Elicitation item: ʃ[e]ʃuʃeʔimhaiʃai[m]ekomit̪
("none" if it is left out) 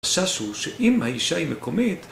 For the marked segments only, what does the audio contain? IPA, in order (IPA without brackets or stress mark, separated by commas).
a, m